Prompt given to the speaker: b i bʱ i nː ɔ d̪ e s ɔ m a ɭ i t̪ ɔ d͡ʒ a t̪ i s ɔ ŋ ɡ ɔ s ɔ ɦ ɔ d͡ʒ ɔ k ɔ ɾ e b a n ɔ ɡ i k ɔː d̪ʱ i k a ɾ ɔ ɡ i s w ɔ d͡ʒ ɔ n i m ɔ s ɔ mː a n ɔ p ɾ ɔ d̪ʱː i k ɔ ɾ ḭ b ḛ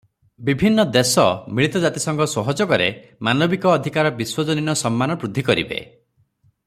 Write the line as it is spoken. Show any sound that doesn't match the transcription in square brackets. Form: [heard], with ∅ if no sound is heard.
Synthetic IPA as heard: b i bʱ i nː ɔ d̪ e s ɔ m [i] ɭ i t̪ ɔ d͡ʒ a t̪ i s ɔ ŋ ɡ ɔ s ɔ ɦ ɔ d͡ʒ ɔ k ɔ ɾ e [m] a n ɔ [b] i k ɔː d̪ʱ i k a ɾ ɔ [b] i s w ɔ d͡ʒ ɔ n i [n] ɔ s ɔ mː a n ɔ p ɾ [u] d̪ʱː i k ɔ ɾ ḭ b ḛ